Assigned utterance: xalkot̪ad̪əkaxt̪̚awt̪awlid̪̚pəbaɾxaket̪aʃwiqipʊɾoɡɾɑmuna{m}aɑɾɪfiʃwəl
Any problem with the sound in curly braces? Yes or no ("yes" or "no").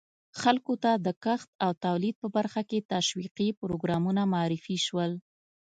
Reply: no